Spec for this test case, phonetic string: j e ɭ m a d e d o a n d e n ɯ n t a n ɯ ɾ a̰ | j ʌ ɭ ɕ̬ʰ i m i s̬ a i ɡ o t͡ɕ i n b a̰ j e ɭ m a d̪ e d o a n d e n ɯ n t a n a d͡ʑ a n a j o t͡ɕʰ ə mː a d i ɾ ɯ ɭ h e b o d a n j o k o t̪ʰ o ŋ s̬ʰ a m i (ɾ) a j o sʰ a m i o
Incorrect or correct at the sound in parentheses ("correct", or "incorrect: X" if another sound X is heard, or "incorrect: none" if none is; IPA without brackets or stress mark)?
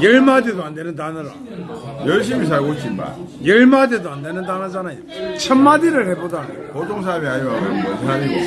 incorrect: none